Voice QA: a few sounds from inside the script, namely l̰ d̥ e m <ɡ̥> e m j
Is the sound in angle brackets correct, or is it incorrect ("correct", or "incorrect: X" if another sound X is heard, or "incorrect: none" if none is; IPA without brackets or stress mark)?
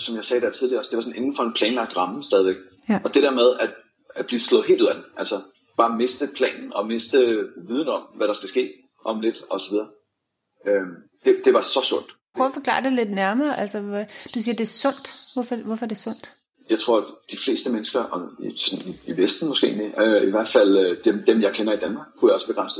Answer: incorrect: d̥